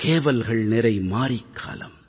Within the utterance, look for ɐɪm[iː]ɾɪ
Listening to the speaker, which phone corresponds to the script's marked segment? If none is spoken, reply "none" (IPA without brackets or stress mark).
aː